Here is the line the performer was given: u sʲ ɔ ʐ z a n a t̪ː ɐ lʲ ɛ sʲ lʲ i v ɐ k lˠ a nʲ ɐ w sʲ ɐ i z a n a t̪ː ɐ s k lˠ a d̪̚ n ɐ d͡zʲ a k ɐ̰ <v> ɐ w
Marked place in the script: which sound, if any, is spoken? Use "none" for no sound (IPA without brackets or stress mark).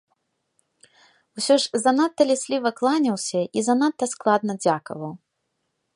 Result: v